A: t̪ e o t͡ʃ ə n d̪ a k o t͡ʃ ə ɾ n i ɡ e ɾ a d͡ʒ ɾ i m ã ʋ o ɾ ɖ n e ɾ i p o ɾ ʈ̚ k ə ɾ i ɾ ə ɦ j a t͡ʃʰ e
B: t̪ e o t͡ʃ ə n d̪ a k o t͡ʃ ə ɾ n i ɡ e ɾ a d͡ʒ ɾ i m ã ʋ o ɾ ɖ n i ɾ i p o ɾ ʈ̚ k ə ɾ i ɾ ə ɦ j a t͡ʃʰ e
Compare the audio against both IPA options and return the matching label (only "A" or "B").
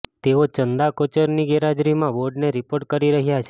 A